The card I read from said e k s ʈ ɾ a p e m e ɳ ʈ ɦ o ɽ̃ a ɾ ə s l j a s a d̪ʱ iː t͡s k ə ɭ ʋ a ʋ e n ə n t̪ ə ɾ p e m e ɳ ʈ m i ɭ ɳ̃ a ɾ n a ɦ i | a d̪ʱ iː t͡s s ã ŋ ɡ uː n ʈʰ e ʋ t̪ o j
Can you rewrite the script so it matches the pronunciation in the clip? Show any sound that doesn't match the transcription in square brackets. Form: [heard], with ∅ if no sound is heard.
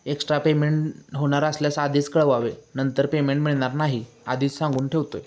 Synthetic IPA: e k s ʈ ɾ a p e m e ɳ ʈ ɦ o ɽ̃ a ɾ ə s l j a s a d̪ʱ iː t͡s k ə ɭ ʋ a ʋ e n ə n t̪ ə ɾ p e m e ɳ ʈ m i ɭ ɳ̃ a ɾ n a ɦ i | a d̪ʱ iː t͡s s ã ŋ ɡ uː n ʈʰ e ʋ t̪ o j